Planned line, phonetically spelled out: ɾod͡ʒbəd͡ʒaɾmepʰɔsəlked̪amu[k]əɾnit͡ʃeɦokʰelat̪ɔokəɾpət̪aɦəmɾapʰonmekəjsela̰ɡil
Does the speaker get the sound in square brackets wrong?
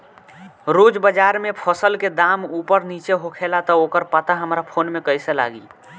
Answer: yes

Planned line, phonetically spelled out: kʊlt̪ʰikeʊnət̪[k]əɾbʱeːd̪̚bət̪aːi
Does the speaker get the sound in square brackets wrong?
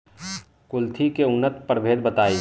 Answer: yes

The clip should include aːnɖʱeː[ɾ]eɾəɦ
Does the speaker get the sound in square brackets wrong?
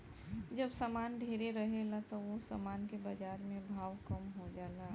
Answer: no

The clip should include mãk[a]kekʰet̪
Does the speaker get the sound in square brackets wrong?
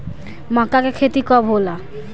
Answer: no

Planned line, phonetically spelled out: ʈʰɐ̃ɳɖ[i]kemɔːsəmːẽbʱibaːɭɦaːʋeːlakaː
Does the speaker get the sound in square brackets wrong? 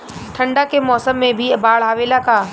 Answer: yes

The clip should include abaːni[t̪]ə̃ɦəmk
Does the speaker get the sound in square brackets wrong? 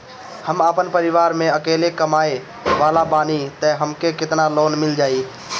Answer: no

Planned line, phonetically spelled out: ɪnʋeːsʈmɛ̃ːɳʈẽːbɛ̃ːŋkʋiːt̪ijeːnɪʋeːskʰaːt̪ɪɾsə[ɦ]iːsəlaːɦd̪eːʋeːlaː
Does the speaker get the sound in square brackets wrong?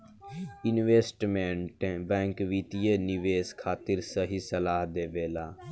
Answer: no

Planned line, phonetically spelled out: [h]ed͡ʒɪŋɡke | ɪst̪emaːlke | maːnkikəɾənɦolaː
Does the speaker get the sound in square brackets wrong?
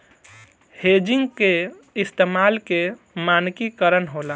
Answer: no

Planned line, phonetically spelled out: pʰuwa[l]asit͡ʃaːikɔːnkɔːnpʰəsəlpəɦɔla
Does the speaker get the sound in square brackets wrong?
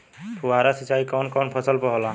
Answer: yes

